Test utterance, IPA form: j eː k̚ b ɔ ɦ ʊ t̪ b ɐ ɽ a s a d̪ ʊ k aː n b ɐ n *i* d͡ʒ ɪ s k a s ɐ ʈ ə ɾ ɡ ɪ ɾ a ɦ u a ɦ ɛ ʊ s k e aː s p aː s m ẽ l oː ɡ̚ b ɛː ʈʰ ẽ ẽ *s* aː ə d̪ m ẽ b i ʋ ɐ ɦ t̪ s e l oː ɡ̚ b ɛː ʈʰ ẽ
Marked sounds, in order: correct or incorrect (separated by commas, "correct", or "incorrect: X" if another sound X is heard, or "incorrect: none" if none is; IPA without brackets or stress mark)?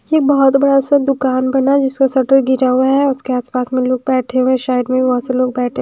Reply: incorrect: a, incorrect: ʃ